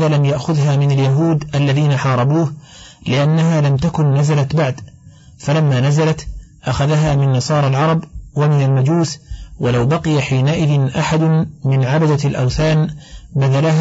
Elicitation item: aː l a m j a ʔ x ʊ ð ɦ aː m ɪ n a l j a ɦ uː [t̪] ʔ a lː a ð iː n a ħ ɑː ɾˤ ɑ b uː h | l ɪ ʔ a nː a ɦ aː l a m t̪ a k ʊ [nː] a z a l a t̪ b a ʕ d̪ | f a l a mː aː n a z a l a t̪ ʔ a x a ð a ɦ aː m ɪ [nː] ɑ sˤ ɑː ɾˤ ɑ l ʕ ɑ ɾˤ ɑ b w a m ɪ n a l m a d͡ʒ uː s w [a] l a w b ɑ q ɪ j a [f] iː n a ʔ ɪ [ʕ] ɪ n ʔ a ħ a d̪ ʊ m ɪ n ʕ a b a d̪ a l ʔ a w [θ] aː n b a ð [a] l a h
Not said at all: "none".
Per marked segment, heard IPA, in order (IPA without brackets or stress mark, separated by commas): d̪, nː, nː, a, ħ, ð, θ, a